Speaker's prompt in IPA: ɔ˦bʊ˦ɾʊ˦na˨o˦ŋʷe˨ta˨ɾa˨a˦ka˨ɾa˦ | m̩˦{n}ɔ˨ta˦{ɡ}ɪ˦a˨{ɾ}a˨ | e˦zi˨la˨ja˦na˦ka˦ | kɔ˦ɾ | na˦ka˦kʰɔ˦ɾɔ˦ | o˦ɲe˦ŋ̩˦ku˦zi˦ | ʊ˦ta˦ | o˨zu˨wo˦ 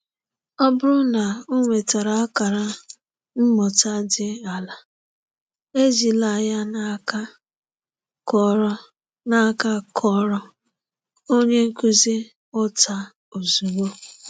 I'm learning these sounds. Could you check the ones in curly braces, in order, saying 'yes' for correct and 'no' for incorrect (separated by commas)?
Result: no, no, no